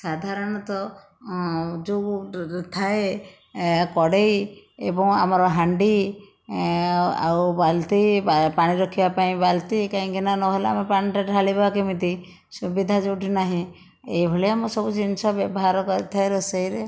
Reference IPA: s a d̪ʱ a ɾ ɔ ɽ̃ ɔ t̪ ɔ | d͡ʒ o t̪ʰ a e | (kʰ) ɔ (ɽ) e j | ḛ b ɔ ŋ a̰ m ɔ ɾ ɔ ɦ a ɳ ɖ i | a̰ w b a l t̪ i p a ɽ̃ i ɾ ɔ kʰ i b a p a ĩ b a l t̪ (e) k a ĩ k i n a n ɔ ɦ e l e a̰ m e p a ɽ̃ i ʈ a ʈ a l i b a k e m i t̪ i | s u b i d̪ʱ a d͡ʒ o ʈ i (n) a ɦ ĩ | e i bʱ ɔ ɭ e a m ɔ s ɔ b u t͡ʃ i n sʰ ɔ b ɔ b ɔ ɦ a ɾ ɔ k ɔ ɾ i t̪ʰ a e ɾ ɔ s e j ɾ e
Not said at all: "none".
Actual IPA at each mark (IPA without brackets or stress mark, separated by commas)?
k, ɽ, i, n